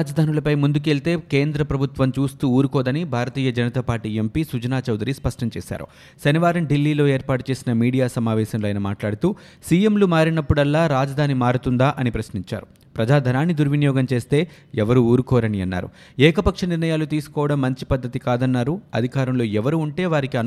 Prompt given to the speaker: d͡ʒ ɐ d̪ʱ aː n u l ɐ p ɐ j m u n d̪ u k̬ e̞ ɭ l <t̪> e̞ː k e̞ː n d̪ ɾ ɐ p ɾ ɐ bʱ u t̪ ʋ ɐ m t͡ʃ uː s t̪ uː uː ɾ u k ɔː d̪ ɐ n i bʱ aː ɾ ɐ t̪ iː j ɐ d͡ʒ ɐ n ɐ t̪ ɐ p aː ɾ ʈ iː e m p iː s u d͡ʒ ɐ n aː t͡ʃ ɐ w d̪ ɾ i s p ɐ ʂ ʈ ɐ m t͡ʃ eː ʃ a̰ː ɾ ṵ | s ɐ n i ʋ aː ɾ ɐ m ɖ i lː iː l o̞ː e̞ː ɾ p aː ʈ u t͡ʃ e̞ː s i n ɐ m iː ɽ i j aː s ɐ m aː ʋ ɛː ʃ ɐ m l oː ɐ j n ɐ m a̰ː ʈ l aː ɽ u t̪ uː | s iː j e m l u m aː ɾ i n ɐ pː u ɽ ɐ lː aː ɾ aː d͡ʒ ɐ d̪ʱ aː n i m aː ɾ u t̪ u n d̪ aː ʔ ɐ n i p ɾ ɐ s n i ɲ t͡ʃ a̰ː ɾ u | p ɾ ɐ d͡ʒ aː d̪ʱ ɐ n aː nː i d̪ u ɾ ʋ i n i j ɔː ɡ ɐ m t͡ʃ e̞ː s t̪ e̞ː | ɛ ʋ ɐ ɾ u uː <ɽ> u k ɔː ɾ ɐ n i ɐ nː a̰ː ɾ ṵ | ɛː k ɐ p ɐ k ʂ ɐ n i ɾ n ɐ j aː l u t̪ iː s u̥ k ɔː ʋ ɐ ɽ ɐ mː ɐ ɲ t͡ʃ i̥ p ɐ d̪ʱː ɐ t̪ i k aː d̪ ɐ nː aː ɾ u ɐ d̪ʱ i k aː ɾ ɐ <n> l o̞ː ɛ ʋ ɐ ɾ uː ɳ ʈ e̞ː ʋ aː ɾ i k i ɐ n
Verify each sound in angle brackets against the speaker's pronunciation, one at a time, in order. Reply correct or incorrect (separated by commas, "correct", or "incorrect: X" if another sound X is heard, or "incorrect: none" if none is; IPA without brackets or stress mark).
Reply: correct, incorrect: ɾ, incorrect: m